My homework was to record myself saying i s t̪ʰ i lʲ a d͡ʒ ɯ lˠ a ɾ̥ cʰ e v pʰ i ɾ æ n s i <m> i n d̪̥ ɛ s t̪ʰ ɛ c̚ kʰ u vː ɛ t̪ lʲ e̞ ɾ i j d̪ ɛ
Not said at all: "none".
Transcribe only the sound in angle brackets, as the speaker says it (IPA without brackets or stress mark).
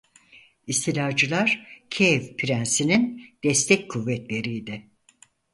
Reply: n